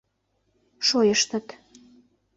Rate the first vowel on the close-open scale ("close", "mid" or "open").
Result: mid